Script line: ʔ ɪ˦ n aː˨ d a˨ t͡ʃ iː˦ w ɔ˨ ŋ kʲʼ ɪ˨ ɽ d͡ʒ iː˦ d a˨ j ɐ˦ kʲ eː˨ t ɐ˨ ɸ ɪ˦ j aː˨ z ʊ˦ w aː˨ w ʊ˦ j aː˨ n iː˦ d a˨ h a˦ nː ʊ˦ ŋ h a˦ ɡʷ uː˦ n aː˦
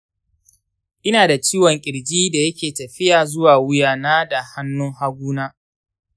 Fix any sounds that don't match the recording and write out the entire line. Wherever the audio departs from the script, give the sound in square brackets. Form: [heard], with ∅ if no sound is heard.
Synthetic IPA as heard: ʔ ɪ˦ n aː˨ d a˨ t͡ʃ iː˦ w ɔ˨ ŋ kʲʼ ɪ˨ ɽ d͡ʒ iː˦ d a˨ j ɐ˦ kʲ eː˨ t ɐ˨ ɸ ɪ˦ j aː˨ z ʊ˦ w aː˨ w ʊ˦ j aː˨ n [aː˦] d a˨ h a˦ nː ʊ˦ ŋ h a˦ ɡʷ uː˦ n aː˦